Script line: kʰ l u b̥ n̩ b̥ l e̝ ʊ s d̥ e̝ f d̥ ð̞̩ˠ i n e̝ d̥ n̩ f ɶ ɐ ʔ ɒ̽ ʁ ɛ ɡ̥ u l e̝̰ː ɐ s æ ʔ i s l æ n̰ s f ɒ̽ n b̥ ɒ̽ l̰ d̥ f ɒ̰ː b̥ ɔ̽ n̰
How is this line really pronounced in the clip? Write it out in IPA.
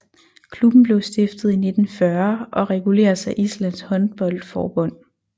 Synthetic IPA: kʰ l u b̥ n̩ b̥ l e̝ ʊ s d̥ e̝ f d̥ ð̞̩ˠ i n e̝ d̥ n̩ f ɶ ɐ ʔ ɒ̽ ʁ ɛ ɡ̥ u l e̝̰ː ɐ s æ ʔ i s l æ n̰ s h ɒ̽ n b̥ ɒ̽ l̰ d̥ f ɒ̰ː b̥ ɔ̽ n̰